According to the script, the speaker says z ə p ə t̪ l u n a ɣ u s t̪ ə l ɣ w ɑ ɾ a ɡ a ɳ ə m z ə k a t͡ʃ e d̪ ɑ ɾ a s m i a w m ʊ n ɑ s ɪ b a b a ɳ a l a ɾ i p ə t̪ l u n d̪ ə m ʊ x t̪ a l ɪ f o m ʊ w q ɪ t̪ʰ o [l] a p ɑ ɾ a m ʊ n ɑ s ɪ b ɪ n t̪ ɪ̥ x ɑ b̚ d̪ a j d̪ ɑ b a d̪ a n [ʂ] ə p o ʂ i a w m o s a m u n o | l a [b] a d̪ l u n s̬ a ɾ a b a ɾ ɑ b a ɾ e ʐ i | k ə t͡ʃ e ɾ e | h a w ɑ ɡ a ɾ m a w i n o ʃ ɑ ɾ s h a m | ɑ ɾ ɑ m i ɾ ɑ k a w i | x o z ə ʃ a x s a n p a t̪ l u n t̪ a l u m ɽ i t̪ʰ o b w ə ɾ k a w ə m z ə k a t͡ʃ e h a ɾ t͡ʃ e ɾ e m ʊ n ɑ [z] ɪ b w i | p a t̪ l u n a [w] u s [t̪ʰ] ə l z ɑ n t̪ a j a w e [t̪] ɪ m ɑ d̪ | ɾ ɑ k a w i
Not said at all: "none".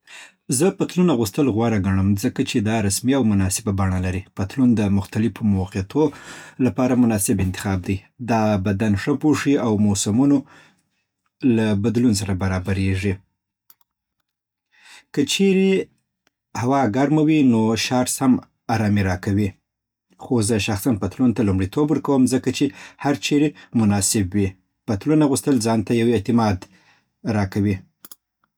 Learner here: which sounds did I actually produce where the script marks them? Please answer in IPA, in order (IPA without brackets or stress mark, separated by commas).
l, ʂ, b, s, ɣ, t̪, t̪